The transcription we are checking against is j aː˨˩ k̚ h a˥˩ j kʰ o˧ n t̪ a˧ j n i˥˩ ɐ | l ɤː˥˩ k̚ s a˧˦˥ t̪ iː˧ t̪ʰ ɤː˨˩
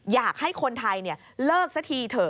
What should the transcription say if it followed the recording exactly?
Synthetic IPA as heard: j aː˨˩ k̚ h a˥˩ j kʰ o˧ n t̪ʰ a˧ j n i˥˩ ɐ | l ɤː˥˩ k̚ s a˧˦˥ t̪ʰ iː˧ t̪ʰ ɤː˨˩